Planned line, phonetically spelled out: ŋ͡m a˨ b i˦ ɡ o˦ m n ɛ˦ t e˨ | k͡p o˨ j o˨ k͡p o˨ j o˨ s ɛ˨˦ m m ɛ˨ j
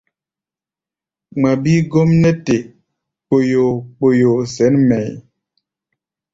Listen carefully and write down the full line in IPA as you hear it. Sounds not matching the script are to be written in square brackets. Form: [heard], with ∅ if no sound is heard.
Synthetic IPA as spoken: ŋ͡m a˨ b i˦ ɡ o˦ m n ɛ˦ t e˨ | k͡p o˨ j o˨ k͡p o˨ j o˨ s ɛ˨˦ [n] m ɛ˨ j